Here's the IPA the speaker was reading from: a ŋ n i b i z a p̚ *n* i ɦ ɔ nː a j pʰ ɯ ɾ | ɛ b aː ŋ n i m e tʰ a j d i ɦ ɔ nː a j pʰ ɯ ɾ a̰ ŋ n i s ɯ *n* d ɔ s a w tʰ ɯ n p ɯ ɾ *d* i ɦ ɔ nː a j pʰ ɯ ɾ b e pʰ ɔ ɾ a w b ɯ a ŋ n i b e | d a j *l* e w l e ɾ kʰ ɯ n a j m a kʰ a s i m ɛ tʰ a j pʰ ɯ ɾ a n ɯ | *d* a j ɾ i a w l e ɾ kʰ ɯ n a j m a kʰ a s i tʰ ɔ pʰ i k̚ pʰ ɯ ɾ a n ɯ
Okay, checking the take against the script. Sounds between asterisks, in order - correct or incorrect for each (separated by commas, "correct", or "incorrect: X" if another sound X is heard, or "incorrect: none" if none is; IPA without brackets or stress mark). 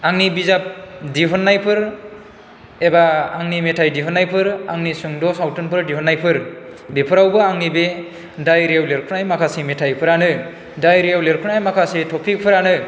incorrect: d, incorrect: ŋ, correct, incorrect: ɾ, correct